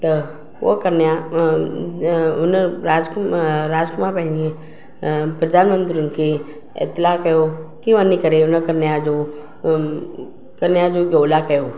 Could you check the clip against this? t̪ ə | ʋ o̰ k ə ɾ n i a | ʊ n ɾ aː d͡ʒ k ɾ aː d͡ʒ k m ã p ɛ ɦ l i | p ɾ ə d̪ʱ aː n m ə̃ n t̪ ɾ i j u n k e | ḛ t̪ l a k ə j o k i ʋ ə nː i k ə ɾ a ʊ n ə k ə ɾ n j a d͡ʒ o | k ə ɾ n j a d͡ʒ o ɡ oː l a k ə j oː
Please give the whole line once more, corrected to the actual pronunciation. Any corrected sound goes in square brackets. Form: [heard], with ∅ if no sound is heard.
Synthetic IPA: t̪ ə | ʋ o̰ k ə ɾ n [j] a | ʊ n ɾ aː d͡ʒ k ɾ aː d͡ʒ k m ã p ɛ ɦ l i | p ɾ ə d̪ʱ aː n m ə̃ n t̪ ɾ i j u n k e | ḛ t̪ l a k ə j o k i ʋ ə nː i k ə ɾ [e] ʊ n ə k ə ɾ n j a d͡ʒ o | k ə ɾ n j a d͡ʒ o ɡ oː l a k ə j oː